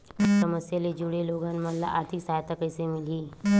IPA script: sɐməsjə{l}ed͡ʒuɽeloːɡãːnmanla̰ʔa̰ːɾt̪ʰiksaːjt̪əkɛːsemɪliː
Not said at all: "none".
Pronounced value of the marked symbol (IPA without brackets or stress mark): l